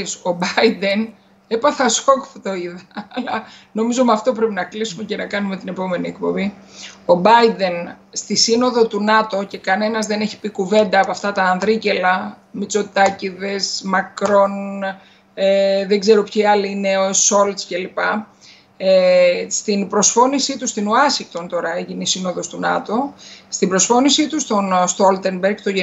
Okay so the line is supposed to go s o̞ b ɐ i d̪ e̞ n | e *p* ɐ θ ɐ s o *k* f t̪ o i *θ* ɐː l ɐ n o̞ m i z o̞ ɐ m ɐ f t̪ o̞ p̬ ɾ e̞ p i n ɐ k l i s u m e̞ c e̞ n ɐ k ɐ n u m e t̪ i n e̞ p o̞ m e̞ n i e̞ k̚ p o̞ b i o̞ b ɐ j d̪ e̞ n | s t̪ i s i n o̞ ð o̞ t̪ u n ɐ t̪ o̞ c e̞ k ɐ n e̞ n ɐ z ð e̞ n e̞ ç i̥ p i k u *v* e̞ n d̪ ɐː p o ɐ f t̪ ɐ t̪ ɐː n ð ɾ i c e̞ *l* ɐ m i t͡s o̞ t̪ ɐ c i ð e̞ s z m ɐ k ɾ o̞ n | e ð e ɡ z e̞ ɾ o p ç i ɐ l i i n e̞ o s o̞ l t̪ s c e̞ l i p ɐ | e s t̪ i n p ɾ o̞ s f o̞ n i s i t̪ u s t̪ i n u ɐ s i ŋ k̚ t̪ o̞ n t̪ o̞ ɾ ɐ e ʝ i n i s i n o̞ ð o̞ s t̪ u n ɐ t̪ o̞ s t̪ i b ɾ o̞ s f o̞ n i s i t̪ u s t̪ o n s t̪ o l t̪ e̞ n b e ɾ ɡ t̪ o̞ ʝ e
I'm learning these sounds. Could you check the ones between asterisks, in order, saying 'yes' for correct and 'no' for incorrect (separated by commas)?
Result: yes, yes, no, yes, yes